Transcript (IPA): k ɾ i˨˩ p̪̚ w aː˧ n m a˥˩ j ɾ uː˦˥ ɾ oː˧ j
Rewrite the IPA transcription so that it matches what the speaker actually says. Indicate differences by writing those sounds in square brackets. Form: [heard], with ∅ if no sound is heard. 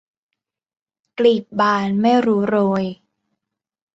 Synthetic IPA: k [l] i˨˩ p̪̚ [b] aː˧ n m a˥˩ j ɾ uː˦˥ ɾ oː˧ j